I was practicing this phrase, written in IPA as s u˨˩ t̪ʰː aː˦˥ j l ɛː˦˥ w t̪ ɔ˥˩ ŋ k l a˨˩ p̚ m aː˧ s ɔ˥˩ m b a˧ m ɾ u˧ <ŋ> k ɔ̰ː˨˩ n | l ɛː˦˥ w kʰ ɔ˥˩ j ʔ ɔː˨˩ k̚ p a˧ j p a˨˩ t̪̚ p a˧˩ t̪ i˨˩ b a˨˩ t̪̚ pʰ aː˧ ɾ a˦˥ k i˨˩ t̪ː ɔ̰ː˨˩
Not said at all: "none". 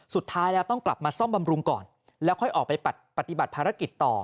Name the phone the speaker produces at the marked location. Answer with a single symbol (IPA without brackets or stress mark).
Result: ŋ